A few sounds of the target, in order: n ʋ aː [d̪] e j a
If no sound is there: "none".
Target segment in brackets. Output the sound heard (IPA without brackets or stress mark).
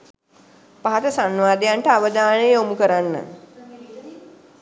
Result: d̪